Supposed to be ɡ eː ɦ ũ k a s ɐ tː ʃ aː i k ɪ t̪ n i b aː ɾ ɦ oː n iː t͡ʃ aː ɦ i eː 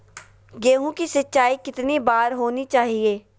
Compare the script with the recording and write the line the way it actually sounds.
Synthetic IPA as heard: ɡ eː ɦ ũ k i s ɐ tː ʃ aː i k ɪ t̪ n i b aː ɾ ɦ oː n i t͡ʃ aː ɦ i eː